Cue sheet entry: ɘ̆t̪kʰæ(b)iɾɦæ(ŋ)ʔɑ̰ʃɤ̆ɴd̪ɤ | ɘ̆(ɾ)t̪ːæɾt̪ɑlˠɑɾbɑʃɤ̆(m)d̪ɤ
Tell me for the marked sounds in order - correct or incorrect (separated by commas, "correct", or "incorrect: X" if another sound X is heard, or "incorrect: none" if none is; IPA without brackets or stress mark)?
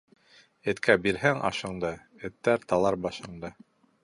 correct, correct, incorrect: none, incorrect: ɴ